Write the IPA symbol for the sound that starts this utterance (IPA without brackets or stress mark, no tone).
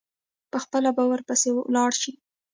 p